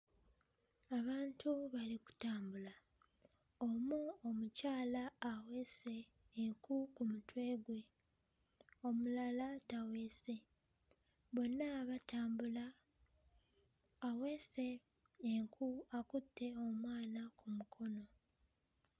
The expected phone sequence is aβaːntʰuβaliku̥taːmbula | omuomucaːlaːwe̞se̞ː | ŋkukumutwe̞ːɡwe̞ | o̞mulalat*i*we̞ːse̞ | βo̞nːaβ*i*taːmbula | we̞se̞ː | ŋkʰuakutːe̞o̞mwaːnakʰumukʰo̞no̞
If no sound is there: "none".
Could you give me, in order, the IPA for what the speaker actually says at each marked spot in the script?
a, a

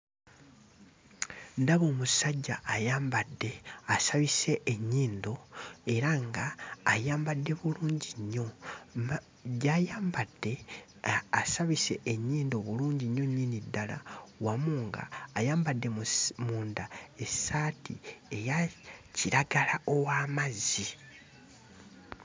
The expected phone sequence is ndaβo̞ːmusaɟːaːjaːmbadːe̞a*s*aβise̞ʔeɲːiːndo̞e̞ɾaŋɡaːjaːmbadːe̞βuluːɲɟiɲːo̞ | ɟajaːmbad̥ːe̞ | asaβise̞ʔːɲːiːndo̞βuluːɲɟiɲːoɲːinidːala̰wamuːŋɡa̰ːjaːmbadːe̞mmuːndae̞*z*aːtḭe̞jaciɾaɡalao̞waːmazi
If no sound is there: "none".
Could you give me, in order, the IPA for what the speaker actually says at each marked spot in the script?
s, s

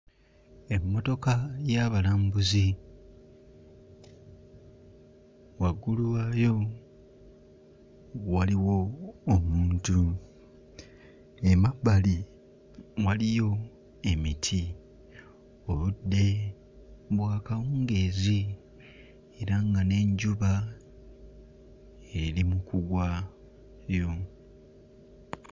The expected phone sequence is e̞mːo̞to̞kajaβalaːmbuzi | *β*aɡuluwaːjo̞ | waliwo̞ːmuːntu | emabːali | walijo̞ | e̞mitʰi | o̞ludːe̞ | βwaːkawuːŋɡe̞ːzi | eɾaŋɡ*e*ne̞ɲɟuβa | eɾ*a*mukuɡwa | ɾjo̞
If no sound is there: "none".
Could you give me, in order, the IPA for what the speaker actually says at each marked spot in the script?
w, a, i

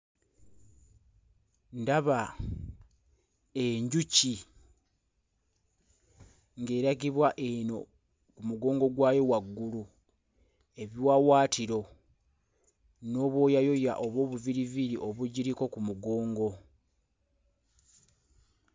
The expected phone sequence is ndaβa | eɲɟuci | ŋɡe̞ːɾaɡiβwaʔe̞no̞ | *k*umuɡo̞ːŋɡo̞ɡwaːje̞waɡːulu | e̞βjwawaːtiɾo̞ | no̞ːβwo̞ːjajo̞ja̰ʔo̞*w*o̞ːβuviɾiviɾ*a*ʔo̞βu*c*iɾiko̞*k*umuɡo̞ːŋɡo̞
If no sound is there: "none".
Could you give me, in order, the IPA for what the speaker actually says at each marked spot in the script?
k, β, i, ɟ, k

